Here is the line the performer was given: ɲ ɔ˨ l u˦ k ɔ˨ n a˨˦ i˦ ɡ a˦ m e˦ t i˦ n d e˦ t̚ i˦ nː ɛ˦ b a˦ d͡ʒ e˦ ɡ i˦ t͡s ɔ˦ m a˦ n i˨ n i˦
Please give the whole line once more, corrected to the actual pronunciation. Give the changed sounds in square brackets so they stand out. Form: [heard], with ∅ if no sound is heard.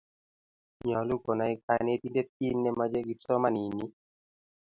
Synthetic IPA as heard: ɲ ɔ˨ l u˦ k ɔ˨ n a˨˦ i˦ [k] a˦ [n] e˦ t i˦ n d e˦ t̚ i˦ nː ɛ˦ [m] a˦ d͡ʒ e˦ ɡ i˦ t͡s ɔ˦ m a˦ n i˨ n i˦